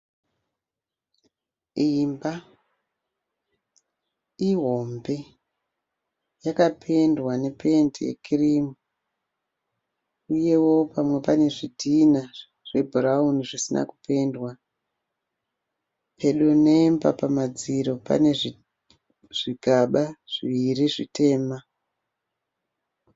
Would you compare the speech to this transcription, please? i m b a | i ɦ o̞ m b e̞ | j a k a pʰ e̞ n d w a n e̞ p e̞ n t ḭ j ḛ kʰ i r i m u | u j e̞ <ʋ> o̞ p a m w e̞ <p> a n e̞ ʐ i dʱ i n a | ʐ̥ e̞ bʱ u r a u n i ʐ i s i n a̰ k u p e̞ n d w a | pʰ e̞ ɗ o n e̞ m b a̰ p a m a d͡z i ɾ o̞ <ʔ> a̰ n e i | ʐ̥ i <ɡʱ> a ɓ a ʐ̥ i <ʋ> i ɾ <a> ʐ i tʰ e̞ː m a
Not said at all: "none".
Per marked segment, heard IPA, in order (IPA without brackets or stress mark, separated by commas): w, p, p, ɡʱ, ʋ, i